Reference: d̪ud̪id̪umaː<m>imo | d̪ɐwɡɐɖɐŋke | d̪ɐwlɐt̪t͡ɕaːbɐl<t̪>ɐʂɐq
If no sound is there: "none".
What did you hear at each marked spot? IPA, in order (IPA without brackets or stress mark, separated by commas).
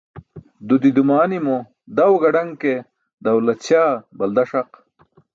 n, d̪